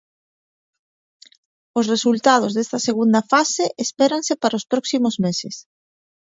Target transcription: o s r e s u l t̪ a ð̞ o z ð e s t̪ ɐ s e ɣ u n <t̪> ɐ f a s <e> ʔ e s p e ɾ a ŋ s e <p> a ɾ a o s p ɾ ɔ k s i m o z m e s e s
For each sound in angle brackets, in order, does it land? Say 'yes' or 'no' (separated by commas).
no, yes, yes